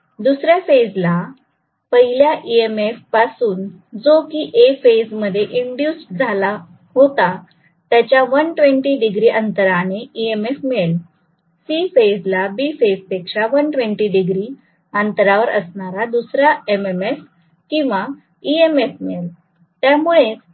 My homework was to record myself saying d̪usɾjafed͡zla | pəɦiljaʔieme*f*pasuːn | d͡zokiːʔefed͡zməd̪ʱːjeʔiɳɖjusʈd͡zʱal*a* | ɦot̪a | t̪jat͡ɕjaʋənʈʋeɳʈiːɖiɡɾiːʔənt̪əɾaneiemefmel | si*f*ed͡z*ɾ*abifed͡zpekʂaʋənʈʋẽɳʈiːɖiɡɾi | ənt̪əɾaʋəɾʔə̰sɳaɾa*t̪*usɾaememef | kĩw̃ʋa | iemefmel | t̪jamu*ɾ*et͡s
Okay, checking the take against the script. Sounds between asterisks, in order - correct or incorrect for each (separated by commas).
correct, correct, correct, incorrect, incorrect, incorrect